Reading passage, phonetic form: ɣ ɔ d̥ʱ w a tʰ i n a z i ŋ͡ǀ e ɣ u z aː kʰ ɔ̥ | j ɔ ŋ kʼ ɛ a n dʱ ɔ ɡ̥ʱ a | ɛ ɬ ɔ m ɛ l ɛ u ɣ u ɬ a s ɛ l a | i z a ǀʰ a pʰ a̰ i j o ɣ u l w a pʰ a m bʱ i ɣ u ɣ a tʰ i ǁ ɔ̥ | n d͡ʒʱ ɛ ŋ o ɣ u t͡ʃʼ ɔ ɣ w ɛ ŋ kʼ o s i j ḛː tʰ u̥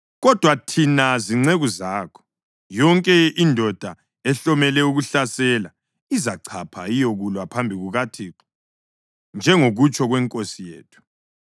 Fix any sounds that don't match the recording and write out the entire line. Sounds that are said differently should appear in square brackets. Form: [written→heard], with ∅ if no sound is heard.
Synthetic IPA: ɣ ɔ d̥ʱ w a tʰ i n a z i ŋ͡ǀ e ɣ u z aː kʰ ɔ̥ | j ɔ ŋ kʼ ɛ [a→i] n dʱ ɔ [ɡ̥ʱ→d̥ʱ] a | ɛ ɬ ɔ m ɛ l ɛ u ɣ u ɬ a s ɛ l a | i z a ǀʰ a pʰ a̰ i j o ɣ u l w a pʰ a m bʱ i ɣ u ɣ a tʰ i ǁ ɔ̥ | n d͡ʒʱ ɛ ŋ o ɣ u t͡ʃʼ ɔ ɣ w ɛ ŋ kʼ o s i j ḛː tʰ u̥